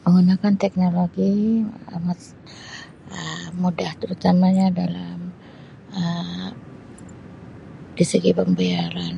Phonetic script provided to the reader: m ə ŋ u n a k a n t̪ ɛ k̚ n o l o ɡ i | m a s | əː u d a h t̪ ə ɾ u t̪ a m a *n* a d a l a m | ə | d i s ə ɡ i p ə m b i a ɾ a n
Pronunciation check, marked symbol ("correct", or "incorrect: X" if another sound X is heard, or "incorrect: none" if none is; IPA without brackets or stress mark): incorrect: ɲ